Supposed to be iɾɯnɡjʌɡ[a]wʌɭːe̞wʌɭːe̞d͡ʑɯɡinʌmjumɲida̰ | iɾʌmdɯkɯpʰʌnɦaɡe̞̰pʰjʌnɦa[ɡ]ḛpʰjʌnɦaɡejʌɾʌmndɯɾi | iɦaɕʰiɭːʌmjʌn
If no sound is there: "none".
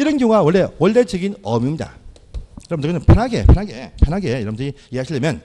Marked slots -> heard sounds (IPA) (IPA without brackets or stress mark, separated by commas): a, ɡ